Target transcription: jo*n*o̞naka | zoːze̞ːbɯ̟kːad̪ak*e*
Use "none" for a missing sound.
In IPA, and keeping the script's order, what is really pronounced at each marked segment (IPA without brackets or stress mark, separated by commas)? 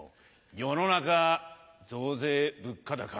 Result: n, a